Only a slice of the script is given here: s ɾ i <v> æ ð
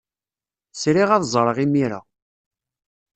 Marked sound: incorrect: ʁ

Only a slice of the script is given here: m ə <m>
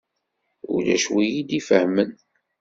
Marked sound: incorrect: n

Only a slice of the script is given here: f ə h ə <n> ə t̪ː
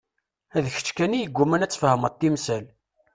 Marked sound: incorrect: m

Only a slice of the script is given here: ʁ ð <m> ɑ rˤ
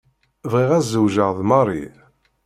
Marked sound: correct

